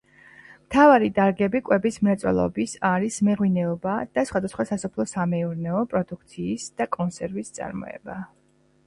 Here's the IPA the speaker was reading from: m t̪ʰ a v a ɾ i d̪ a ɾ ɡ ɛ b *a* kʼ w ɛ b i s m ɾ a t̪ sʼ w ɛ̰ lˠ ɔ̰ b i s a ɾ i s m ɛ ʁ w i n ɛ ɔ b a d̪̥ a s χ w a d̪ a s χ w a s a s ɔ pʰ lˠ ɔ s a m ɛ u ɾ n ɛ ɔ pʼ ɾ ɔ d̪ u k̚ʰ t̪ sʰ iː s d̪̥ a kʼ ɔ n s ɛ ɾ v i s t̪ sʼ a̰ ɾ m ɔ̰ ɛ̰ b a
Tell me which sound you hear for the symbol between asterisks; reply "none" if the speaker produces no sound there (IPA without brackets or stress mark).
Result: i